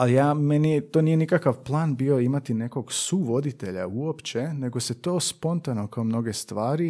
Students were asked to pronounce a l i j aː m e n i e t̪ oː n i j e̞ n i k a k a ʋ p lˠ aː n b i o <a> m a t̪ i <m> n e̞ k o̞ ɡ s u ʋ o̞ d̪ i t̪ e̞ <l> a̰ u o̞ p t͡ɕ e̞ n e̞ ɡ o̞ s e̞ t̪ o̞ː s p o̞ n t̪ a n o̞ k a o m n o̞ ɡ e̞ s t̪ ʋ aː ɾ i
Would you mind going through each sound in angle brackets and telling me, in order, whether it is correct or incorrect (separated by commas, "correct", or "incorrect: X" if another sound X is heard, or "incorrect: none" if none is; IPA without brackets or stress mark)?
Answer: incorrect: i, incorrect: none, incorrect: ʎ